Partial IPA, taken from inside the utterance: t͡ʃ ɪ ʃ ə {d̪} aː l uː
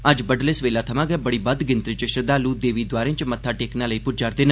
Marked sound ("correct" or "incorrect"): correct